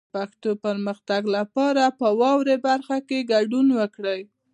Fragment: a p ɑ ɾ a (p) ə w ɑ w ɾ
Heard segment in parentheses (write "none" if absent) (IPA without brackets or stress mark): p